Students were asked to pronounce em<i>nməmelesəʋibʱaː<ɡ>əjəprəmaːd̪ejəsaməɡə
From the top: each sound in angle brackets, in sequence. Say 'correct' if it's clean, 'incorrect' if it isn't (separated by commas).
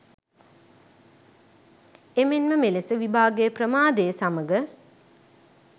incorrect, correct